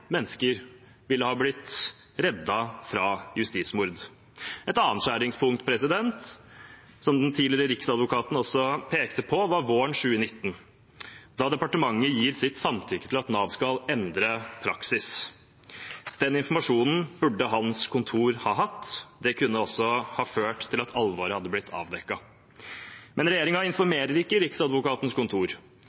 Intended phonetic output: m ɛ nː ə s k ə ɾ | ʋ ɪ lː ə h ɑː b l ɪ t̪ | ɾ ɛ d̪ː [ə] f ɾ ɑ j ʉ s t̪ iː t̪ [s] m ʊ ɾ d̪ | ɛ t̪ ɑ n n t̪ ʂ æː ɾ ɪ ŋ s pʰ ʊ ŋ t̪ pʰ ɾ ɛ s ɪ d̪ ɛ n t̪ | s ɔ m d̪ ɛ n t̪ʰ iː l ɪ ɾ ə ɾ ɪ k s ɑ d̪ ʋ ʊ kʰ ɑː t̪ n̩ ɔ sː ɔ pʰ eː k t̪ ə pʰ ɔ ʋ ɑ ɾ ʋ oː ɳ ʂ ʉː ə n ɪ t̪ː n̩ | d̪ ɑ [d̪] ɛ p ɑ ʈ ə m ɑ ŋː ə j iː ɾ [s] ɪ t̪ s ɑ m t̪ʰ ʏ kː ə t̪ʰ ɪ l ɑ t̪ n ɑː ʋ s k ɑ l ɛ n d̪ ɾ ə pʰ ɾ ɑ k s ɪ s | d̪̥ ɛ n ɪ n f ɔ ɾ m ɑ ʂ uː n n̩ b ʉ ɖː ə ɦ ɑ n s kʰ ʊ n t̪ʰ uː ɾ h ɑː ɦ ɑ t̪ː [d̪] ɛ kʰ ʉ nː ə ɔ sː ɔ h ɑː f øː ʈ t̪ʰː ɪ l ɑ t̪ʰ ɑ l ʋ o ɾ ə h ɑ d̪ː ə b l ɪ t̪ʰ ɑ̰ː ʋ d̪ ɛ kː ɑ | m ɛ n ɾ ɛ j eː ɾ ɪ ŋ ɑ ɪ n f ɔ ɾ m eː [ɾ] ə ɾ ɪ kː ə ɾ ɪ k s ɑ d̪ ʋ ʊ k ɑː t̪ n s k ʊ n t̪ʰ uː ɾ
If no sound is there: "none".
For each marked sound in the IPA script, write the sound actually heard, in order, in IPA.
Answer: ɑ, s, d̪, s, d̪, ɾ

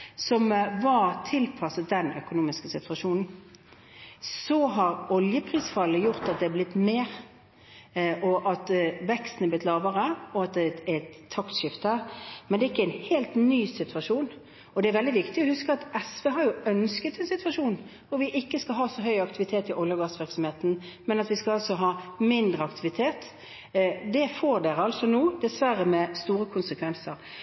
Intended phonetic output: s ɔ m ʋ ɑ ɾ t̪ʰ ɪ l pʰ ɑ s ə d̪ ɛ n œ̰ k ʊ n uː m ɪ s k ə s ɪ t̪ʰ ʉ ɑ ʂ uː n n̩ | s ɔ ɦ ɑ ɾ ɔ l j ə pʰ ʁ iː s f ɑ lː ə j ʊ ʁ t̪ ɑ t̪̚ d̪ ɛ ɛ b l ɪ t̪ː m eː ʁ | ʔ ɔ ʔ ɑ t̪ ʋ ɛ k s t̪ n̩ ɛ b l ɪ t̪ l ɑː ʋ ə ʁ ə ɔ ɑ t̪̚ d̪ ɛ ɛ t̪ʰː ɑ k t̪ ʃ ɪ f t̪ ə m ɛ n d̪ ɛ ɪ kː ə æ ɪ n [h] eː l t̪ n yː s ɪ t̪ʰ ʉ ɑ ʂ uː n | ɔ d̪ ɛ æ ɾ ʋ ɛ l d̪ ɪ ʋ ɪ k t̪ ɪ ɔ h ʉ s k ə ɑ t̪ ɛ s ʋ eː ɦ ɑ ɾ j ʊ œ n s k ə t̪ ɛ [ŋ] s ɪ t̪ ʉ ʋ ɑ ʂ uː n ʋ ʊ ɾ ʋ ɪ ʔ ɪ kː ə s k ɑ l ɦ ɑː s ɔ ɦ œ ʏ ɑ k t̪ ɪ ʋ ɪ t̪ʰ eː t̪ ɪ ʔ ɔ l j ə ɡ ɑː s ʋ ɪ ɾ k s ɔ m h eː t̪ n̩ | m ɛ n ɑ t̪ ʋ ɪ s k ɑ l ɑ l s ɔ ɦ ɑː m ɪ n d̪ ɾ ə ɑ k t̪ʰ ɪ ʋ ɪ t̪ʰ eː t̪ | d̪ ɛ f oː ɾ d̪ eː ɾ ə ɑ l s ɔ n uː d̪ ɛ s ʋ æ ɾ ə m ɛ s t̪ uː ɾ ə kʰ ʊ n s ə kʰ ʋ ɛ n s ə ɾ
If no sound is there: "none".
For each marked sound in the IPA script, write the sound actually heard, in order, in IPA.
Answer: h, n

